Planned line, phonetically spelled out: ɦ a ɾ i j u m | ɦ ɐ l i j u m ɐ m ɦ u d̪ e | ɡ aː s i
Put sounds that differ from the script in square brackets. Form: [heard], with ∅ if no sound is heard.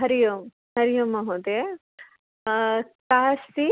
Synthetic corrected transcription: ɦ [ɐ] ɾ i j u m | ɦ ɐ [ɾ] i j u m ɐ [∅] ɦ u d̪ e | [k] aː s i